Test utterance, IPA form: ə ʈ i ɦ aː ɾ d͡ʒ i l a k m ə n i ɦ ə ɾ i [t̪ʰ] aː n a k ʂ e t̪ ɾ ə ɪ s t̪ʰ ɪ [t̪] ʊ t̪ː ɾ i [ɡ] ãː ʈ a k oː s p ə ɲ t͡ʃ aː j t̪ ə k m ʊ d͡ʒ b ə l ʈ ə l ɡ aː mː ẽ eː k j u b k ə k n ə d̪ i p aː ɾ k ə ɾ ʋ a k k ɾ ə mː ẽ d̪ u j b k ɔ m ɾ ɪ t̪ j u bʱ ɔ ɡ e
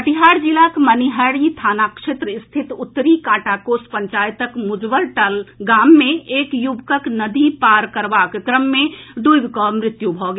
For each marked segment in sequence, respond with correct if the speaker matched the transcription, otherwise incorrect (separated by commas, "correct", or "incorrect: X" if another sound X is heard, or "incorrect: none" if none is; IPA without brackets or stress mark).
correct, correct, incorrect: k